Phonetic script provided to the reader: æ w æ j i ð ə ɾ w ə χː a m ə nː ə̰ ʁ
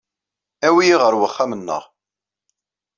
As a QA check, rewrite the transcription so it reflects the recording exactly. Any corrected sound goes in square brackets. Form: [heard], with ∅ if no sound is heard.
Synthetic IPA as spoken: æ w [i] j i [ʁ] ə ɾ w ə χː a m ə nː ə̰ ʁ